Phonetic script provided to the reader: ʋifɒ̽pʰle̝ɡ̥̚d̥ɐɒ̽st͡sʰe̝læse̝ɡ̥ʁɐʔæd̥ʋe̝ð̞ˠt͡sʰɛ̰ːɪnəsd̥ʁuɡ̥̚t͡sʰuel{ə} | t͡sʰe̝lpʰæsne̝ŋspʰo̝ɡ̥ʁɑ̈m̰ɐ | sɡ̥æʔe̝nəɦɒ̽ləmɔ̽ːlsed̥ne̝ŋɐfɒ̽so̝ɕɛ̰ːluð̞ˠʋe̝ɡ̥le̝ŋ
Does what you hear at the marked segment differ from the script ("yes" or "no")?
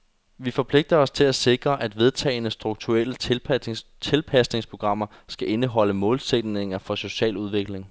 no